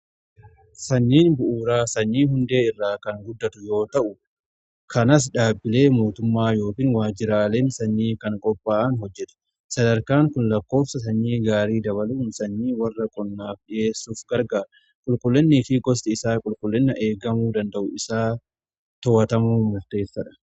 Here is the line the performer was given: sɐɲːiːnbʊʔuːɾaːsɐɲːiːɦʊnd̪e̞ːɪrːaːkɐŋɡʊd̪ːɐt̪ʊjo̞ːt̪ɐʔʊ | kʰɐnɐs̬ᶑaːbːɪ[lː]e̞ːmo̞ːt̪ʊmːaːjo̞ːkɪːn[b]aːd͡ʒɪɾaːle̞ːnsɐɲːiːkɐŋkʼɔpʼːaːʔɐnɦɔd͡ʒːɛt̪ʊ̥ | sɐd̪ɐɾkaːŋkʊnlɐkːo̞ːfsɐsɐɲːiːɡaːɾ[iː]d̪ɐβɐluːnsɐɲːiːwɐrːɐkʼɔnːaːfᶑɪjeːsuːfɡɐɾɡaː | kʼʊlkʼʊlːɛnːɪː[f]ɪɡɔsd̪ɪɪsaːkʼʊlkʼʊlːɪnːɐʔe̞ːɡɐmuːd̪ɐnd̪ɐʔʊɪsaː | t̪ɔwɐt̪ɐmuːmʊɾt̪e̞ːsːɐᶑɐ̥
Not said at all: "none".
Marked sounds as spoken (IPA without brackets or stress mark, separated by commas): l, w, iː, f